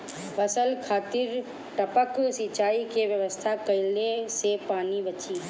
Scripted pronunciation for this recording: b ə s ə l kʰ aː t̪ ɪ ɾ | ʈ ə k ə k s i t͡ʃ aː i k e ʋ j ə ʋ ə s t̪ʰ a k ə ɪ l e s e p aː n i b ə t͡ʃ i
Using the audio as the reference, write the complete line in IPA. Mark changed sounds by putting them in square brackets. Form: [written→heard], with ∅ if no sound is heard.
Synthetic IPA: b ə s ə l kʰ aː t̪ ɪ ɾ | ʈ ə [k→p] ə k s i t͡ʃ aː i k e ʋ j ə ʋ ə s t̪ʰ a k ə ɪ l e s e p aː n i b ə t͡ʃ i